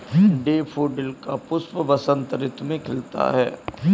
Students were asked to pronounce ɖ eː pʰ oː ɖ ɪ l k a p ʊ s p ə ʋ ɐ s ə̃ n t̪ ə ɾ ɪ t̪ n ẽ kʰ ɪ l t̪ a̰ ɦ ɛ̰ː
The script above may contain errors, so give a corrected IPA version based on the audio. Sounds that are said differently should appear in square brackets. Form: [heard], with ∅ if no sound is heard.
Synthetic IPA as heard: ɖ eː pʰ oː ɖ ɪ l k a p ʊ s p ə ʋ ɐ s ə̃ n t̪ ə ɾ ɪ t̪ [m] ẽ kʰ ɪ l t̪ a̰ ɦ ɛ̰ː